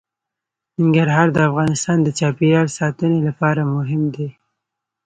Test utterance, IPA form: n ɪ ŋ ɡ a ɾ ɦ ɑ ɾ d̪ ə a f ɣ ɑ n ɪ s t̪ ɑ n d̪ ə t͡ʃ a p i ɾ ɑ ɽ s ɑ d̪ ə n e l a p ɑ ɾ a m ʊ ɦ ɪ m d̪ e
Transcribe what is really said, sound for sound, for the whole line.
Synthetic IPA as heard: n ɪ ŋ ɡ a ɾ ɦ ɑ ɾ d̪ ə a f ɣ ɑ n ɪ s t̪ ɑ n d̪ ə t͡ʃ ɑ p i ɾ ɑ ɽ s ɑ t̪ ə n e l a p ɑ ɾ a m ʊ ɦ ɪ m d̪ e